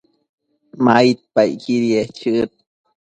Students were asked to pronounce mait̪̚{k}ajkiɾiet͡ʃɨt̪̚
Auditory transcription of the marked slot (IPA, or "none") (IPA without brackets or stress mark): p